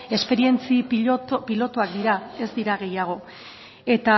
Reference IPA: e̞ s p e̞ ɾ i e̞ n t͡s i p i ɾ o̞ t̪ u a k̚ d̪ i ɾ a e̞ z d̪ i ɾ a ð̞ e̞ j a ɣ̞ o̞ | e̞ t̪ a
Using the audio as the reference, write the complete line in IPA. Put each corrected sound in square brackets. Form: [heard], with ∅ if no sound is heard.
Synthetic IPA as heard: e̞ s p e̞ ɾ i e̞ n t͡s i p i [l] o̞ t̪ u a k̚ d̪ i ɾ a e̞ z d̪ i ɾ a [ɣ̞] e̞ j a ɣ̞ o̞ | e̞ t̪ a